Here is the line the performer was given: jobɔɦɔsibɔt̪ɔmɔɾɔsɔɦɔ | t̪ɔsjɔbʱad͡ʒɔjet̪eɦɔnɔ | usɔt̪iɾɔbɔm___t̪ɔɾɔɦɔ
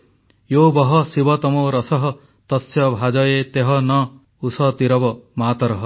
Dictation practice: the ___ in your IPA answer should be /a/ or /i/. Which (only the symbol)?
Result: a